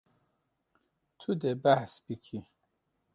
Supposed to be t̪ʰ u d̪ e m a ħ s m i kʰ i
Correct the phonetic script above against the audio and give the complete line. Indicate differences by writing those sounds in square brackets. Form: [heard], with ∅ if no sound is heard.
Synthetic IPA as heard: t̪ʰ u d̪ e [b] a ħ s [b] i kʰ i